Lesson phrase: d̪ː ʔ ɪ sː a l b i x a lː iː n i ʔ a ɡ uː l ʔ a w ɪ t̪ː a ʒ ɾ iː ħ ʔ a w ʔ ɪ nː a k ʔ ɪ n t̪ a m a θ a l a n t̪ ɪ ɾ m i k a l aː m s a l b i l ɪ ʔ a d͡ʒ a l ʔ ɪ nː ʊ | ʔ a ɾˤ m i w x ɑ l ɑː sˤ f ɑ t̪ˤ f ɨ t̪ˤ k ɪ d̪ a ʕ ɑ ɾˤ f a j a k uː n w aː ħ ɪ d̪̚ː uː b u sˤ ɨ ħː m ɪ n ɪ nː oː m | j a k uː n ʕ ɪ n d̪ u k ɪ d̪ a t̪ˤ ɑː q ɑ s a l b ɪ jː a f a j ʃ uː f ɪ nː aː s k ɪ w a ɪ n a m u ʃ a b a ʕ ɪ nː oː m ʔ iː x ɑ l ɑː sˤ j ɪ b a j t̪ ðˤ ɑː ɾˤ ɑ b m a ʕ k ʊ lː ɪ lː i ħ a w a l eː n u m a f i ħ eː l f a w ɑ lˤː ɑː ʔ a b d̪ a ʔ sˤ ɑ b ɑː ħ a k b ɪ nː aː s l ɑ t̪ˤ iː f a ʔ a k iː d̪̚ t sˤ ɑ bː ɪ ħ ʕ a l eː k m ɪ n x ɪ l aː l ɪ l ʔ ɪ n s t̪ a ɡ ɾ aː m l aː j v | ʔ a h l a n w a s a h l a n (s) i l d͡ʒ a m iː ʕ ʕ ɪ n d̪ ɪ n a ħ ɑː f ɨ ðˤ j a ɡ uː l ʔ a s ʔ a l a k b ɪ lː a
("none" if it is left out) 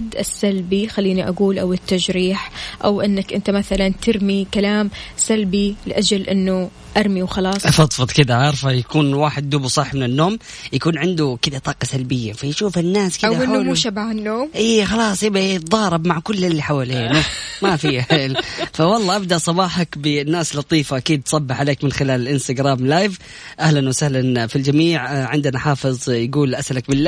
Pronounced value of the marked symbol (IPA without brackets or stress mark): f